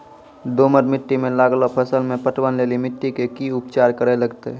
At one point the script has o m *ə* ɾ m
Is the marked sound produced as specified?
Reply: yes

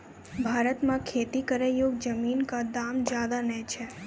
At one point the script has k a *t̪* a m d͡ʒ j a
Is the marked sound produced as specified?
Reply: no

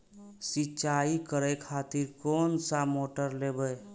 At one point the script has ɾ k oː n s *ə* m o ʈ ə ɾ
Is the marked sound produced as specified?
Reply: no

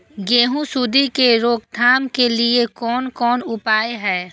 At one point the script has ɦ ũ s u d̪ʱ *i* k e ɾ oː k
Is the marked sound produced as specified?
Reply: yes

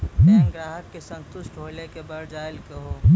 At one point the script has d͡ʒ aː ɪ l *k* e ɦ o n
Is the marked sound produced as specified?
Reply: yes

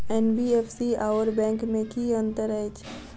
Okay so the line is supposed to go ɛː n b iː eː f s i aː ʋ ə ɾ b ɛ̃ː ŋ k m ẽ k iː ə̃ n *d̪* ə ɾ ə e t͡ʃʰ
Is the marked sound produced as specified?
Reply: no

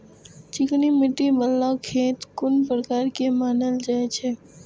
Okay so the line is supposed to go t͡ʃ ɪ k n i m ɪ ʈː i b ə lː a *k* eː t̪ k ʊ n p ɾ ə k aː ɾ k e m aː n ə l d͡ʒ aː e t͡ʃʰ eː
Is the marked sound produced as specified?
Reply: no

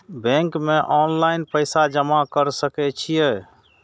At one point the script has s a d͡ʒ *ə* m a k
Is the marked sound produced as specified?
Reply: yes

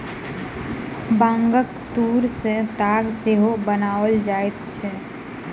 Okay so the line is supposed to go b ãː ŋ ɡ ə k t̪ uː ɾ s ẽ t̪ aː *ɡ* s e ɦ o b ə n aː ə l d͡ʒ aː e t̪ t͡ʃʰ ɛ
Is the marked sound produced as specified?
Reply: yes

